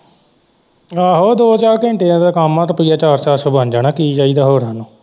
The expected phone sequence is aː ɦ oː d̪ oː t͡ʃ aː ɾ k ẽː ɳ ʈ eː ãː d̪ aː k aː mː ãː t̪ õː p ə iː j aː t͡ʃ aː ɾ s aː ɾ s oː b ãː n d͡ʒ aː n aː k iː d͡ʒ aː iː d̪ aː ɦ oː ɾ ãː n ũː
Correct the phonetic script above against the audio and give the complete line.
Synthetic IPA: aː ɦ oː d̪ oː t͡ʃ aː ɾ k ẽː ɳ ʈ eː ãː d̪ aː k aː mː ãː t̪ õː p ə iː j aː t͡ʃ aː ɾ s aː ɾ s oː b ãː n d͡ʒ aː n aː k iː d͡ʒ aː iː d̪ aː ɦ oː ɾ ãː n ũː